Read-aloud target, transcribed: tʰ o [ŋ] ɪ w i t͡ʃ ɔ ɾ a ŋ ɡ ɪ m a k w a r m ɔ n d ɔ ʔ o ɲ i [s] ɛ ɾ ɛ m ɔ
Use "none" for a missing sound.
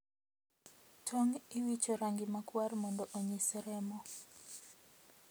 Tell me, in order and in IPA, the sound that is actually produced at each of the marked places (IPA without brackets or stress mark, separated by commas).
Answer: ŋ, s